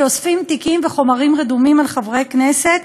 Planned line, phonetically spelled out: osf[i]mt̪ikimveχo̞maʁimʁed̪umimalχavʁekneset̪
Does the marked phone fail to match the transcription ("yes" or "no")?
no